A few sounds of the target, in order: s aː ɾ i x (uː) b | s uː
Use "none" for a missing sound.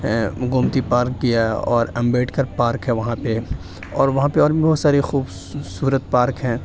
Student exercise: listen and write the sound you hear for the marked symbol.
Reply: uː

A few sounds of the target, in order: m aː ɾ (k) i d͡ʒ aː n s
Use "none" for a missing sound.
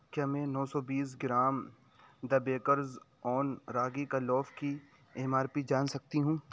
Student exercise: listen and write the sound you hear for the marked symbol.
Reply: p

